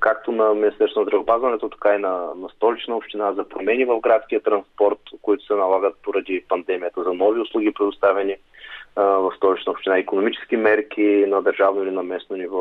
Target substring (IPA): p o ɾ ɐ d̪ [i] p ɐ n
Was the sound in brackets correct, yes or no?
yes